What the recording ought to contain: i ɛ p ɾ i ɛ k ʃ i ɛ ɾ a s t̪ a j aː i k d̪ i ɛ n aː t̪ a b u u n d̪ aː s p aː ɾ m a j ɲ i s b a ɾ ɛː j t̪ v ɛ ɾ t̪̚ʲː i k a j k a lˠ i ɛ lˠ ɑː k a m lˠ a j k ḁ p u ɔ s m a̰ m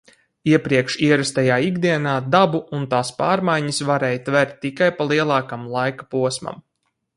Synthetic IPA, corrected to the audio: i ɛ p ɾ i ɛ k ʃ i ɛ ɾ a s t̪ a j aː i ɡ d̪ i ɛ n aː d̪ a b u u n t̪ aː s p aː ɾ m a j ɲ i s v a ɾ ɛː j t̪ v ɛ ɾ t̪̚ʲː i k a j p a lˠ i ɛ lˠ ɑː k a m lˠ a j k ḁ p u ɔ s m a̰ m